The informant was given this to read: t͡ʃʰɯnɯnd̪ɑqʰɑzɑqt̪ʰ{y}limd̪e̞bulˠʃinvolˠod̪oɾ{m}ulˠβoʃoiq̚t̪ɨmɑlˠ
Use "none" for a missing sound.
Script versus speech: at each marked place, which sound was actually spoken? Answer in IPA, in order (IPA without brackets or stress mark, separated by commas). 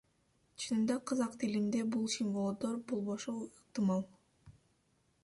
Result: i, b